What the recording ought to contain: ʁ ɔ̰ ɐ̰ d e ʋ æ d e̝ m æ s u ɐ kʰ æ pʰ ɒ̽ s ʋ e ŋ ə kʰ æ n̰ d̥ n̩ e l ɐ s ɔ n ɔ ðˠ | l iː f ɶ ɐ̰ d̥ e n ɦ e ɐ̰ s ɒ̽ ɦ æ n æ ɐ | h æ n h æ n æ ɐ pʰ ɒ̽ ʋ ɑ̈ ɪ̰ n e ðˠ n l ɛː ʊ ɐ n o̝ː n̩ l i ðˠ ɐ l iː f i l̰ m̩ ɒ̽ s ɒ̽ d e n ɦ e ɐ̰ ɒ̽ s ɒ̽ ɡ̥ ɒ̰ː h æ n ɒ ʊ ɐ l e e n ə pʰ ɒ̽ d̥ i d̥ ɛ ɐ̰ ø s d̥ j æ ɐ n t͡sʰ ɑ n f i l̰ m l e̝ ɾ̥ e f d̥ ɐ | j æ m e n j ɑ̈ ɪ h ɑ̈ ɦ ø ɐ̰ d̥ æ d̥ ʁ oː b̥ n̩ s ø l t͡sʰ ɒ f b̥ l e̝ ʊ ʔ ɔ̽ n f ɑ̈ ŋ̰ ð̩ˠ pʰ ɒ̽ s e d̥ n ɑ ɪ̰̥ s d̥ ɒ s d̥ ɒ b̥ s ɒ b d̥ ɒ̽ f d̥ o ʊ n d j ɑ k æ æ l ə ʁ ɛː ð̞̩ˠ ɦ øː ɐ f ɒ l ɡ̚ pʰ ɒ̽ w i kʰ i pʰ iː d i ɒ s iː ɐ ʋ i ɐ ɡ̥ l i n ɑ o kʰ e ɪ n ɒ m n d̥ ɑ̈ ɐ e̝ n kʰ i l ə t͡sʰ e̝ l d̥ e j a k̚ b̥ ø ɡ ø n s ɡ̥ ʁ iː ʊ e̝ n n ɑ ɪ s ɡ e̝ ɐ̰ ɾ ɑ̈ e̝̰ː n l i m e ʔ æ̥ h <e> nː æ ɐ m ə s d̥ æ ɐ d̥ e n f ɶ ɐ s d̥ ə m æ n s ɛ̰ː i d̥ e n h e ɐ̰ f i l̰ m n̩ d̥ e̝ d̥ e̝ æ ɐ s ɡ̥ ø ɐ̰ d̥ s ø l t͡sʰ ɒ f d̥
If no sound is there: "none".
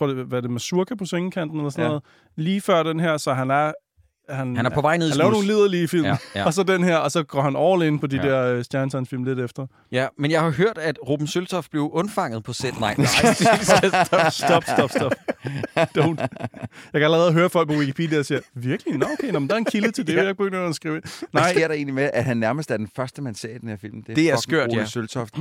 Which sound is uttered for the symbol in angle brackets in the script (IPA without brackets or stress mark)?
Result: æ